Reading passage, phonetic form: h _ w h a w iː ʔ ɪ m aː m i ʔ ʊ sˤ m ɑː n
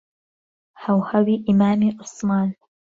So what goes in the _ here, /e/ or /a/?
a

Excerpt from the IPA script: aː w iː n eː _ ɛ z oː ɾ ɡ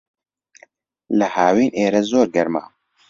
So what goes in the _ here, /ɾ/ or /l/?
ɾ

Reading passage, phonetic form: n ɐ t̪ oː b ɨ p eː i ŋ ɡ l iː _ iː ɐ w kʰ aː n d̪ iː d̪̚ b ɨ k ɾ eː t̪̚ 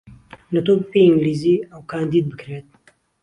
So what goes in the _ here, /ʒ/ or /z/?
z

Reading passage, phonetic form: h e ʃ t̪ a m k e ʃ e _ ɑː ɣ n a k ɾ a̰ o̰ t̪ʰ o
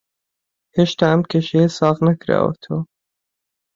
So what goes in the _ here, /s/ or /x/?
s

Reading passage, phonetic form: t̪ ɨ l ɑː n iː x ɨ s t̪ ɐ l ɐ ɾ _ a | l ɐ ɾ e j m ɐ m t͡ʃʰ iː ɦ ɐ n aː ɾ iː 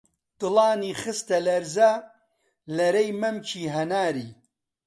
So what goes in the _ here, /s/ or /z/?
z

